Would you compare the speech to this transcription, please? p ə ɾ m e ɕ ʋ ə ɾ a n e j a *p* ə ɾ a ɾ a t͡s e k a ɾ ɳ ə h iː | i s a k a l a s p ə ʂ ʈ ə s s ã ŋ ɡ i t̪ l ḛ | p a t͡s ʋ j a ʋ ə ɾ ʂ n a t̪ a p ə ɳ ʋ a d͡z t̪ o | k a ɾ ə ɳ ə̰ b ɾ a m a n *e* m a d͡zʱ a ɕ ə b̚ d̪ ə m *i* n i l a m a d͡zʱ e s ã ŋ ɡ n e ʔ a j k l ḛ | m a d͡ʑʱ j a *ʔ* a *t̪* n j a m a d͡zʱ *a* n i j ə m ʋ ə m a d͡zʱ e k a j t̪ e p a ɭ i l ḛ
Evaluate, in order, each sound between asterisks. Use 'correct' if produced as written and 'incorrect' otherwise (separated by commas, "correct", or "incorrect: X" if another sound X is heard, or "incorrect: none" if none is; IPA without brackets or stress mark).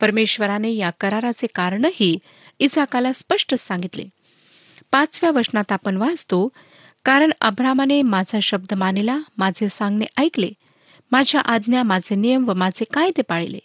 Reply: incorrect: k, correct, incorrect: a, correct, incorrect: d̪, incorrect: e